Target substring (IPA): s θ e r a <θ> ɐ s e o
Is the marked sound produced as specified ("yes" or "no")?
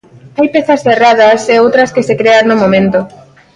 no